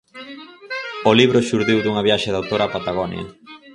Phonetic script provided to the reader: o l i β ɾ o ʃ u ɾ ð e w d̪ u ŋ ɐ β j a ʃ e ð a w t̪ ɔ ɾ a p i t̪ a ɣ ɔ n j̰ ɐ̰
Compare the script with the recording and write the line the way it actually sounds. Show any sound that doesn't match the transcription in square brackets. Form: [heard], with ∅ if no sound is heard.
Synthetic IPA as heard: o l i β ɾ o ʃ u ɾ ð [i] w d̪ u ŋ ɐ β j a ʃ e ð a w t̪ [o] ɾ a p [a] t̪ a ɣ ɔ n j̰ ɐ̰